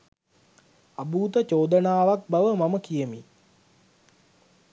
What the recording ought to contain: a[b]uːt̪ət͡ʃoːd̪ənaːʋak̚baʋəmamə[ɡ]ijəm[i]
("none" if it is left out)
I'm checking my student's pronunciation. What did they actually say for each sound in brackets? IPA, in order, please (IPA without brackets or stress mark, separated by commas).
b, k, i